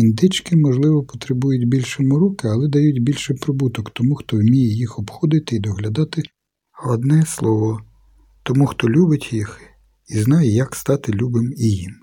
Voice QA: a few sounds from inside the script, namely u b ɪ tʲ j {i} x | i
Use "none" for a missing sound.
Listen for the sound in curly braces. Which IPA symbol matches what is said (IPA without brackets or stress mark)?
i